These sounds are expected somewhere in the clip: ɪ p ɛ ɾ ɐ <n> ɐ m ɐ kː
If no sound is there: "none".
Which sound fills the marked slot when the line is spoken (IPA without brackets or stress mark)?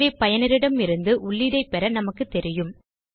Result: n